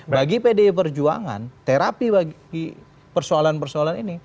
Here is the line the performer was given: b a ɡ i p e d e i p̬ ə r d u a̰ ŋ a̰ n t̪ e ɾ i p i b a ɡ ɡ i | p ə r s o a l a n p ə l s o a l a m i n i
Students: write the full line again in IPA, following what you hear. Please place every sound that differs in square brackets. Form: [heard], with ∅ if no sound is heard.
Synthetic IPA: b a ɡ i p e d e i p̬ ə r [d͡ʒ] u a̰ ŋ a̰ n t̪ e ɾ [a] p i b a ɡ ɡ i | p ə r s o a l a n p ə [r] s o a l a [n] i n i